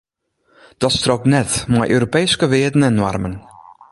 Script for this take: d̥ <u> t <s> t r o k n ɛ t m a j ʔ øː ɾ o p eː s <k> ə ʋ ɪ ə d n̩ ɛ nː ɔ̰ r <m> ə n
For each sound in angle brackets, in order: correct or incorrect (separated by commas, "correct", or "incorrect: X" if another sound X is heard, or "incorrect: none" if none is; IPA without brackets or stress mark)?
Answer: incorrect: ɔ, correct, correct, correct